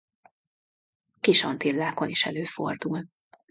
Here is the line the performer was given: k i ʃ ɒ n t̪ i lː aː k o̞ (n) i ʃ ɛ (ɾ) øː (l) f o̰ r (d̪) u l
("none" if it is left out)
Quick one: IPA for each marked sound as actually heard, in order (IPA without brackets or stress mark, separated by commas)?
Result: n, l, none, d̪